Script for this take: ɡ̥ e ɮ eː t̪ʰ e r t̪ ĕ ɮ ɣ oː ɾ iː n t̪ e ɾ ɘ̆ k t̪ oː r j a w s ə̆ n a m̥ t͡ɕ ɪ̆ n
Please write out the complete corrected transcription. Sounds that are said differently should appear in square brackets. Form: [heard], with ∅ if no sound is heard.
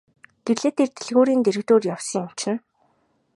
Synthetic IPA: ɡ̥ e ɮ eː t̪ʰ e r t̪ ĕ ɮ ɣ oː ɾ iː n t̪ e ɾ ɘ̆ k t̪ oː r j a w s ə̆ [ŋ] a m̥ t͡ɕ ɪ̆ n